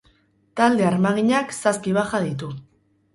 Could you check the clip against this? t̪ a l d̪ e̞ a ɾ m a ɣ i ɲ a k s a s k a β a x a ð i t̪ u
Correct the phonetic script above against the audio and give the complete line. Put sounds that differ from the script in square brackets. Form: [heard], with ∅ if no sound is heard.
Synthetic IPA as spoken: t̪ a l d̪ e̞ a ɾ m a ɣ i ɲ a k s a s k [i] β a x a ð i t̪ u